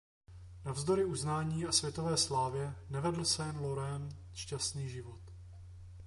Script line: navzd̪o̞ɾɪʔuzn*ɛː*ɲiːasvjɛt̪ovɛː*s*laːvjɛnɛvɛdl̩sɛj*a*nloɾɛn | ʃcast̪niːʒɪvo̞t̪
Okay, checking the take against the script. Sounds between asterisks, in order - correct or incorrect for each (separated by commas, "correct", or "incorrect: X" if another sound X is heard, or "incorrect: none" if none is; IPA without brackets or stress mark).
incorrect: aː, correct, incorrect: ɛ